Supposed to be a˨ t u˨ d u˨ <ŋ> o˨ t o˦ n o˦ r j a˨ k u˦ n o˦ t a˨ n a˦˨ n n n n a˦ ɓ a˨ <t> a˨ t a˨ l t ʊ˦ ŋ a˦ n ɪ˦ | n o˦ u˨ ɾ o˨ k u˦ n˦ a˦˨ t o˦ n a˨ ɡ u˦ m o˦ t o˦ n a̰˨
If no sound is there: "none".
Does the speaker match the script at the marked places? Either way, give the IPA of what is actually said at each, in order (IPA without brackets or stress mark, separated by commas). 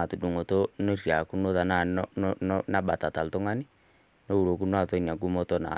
ŋ, t